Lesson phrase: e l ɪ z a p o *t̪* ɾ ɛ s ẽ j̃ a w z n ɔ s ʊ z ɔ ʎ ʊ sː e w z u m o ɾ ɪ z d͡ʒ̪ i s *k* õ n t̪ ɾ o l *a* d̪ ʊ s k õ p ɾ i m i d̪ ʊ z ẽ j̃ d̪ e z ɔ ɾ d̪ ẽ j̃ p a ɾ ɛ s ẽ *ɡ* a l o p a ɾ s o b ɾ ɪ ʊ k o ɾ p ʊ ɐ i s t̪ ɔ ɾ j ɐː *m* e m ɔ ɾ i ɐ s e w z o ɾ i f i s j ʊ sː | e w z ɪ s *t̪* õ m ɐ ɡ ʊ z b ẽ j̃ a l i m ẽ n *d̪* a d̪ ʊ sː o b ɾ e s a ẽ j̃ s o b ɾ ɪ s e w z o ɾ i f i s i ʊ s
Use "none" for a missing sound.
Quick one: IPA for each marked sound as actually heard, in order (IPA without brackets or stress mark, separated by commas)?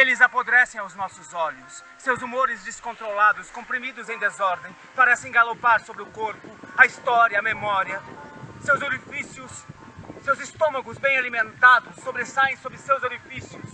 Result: d̪, k, a, ɡ, m, t̪, t̪